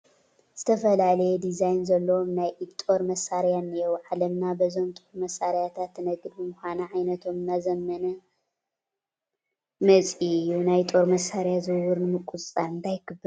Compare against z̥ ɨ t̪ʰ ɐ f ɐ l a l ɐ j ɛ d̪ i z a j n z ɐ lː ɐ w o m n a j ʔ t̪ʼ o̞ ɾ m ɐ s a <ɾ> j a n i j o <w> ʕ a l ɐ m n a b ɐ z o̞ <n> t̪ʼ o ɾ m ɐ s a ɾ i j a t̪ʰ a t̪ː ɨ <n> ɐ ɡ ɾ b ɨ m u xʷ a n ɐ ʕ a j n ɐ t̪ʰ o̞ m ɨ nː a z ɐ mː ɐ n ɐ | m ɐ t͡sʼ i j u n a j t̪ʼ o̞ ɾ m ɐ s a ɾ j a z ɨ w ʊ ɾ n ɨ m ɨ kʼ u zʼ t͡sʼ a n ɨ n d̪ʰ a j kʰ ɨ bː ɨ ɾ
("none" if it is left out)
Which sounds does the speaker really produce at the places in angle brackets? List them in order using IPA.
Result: ɾ, w, m, n

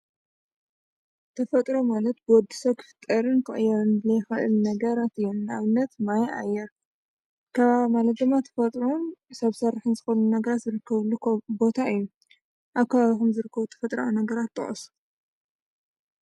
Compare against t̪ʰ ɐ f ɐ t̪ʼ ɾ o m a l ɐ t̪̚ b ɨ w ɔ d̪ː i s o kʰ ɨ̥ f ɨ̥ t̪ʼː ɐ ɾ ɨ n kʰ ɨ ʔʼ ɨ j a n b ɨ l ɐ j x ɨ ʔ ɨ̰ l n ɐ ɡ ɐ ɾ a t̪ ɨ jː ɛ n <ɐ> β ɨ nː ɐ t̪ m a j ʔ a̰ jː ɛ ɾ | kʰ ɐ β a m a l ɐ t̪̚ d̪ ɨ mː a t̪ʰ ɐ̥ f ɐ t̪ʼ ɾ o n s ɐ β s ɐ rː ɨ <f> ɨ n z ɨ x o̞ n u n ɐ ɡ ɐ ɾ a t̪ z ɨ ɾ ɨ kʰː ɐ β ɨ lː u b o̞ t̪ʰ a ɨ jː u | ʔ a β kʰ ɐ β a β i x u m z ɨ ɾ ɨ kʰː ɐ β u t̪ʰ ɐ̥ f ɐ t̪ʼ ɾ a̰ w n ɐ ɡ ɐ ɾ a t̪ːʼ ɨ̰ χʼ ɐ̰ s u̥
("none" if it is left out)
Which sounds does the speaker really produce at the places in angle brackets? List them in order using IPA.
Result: a, ħ

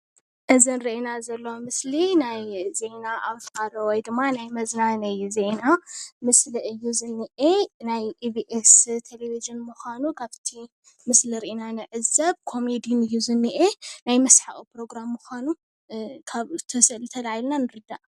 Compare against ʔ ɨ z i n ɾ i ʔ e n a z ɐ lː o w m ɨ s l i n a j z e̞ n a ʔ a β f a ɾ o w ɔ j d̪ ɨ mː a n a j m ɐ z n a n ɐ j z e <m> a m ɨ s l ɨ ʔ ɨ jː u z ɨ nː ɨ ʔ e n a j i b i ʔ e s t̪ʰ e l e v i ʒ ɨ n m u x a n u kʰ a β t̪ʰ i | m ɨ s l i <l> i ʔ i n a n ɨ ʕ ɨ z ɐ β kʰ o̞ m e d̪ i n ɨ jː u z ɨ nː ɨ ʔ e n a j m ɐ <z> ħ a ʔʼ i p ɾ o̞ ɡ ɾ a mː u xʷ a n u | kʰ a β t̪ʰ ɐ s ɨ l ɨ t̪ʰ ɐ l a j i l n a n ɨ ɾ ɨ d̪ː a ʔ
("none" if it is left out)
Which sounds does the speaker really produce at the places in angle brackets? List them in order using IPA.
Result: n, ɾ, s

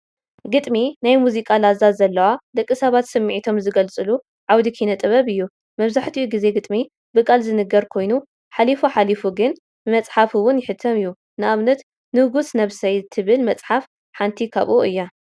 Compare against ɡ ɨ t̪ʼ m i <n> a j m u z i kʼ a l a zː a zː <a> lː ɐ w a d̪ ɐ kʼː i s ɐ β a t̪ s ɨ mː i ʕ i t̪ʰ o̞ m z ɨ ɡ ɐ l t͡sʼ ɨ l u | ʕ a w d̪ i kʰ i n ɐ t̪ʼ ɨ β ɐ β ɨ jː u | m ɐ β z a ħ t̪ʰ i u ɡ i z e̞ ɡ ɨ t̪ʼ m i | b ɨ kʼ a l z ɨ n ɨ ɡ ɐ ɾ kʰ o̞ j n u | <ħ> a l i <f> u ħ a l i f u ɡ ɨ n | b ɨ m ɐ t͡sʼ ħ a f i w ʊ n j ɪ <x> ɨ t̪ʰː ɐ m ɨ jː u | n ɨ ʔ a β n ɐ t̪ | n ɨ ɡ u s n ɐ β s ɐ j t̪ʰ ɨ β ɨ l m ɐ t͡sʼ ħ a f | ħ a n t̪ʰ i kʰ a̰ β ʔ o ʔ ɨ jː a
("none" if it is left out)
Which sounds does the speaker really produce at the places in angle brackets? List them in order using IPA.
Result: n, ɐ, ħ, f, ħ

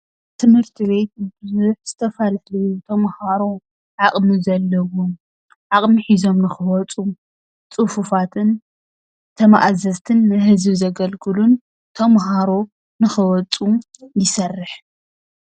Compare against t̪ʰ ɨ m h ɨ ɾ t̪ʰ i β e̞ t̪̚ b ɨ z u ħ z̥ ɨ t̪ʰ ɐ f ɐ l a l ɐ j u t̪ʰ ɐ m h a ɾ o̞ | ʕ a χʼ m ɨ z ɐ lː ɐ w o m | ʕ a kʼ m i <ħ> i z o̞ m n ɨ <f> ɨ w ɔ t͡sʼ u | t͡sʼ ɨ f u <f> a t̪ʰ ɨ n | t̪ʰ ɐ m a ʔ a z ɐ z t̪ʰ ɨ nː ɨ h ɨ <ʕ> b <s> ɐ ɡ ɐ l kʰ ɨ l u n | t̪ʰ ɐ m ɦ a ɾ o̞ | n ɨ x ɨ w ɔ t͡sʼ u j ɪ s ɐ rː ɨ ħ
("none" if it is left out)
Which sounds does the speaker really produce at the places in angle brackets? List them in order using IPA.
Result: ħ, x, f, z, z

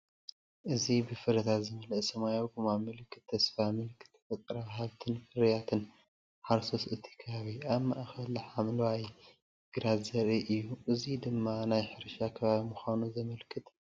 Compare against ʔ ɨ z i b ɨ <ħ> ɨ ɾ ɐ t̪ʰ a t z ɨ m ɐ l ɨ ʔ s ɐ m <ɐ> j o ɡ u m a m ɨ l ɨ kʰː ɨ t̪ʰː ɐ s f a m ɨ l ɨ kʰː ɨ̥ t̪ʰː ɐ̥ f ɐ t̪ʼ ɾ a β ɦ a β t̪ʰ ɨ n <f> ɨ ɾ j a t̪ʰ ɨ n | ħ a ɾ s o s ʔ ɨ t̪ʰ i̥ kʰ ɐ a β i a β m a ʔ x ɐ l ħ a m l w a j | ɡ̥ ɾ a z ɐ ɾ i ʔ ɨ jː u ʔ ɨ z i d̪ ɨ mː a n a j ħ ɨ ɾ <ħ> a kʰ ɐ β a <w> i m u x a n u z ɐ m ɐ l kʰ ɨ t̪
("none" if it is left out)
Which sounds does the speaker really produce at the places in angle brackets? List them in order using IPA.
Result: f, a, f, ʃ, β

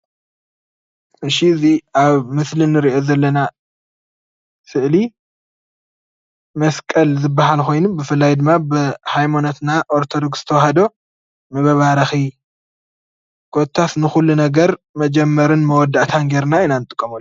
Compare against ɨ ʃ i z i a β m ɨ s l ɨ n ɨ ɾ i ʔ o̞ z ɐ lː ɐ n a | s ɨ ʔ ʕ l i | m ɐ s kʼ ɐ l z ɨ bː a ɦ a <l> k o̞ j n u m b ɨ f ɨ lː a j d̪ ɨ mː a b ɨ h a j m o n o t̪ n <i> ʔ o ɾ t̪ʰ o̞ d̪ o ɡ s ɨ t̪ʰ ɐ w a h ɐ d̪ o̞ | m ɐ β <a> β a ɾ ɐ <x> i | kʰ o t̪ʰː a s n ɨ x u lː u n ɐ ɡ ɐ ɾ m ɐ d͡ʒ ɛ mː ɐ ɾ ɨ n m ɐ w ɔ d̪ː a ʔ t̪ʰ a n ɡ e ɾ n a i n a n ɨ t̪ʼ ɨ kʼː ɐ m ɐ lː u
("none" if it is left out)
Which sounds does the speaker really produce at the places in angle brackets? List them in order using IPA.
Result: l, a, ɐ, x

